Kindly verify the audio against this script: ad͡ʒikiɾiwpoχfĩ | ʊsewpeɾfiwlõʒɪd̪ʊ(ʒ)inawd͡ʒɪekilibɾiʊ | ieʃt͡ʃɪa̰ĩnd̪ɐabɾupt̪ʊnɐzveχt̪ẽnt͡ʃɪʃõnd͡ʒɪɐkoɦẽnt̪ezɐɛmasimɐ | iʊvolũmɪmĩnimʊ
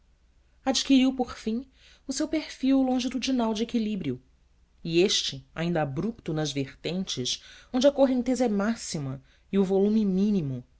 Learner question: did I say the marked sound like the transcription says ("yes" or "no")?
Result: no